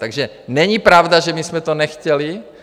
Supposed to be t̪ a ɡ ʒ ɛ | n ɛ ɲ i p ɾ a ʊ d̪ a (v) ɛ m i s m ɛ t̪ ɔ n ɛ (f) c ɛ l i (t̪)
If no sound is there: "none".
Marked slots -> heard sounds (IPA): ʒ, x, none

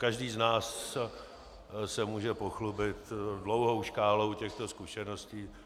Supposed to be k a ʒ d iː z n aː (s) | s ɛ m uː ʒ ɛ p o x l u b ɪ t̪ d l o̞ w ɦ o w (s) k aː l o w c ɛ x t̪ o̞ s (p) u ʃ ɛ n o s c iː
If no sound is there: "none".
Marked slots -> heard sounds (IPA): s, ʃ, k

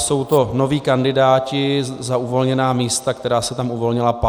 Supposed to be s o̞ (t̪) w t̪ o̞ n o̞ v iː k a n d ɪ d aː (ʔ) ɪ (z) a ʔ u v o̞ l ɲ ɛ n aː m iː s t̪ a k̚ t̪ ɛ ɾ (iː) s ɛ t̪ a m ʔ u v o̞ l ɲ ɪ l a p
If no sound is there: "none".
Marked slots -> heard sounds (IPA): none, c, z, aː

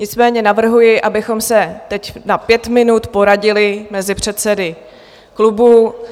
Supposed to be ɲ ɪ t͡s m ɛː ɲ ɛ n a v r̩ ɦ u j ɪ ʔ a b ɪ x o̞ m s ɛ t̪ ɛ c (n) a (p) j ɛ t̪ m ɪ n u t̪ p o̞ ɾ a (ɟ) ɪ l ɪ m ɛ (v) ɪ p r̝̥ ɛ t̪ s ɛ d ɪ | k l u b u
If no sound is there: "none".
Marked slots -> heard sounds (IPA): n, p, ɟ, z

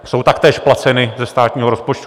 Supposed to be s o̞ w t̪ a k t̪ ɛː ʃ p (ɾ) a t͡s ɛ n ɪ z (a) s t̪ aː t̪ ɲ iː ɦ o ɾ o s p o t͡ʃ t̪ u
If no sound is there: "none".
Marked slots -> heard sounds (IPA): l, ɛ

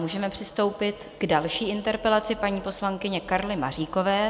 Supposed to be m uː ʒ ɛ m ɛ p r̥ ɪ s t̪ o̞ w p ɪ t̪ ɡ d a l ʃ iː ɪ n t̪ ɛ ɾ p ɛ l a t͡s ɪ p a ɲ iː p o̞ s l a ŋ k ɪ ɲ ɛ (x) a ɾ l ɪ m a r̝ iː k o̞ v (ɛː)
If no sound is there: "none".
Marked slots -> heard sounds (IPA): k, ɛː

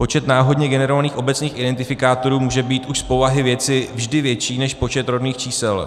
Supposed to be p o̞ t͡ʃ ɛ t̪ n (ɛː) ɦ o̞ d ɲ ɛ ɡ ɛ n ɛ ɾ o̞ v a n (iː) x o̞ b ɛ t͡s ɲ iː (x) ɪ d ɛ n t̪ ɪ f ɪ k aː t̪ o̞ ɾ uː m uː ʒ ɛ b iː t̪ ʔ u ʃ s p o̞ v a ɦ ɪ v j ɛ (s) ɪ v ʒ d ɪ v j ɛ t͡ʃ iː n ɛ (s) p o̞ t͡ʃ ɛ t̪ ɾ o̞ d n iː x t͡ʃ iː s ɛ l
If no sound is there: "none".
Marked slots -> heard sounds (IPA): aː, iː, x, t͡s, ʃ

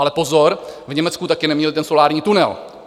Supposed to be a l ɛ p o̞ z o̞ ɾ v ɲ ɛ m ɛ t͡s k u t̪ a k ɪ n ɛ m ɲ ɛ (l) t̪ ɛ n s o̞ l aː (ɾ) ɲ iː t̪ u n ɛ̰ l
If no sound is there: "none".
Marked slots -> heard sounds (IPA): l, ɾ

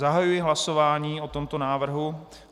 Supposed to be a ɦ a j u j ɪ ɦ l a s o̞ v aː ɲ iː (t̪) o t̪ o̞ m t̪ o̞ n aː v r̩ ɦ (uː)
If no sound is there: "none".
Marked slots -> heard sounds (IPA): none, u

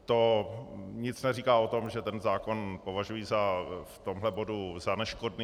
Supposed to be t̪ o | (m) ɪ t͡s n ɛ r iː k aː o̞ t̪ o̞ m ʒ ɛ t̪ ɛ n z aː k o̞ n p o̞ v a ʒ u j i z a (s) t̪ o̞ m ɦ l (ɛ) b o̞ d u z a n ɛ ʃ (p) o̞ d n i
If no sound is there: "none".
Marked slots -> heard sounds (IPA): ɲ, f, ɛ, k

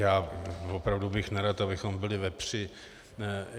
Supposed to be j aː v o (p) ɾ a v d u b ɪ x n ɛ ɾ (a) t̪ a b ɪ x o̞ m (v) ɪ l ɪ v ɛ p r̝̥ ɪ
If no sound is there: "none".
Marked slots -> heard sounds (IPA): p, a, b

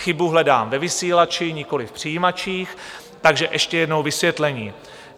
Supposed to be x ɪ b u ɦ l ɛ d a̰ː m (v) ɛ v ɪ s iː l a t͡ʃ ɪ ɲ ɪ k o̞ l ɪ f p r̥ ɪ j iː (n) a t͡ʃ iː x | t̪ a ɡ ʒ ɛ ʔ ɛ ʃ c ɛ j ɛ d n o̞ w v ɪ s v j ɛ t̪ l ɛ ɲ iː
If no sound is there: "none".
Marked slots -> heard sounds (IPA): v, m

